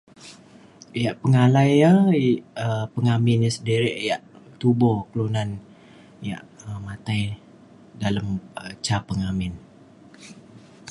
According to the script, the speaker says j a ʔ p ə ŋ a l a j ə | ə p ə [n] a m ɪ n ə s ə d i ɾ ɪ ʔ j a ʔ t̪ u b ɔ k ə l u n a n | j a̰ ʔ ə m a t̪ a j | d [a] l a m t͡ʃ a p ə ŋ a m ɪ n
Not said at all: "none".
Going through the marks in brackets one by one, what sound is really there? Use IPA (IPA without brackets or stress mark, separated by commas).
ŋ, a